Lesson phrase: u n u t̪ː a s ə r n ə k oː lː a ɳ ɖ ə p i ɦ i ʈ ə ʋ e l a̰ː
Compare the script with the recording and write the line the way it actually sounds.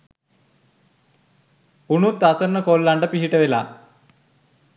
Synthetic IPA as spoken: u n u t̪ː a s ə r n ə k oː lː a ɳ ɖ ə p i ɦ i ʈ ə ʋ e l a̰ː